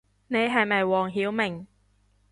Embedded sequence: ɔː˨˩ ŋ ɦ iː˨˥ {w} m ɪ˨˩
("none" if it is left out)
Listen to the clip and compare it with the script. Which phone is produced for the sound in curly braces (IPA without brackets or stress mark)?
w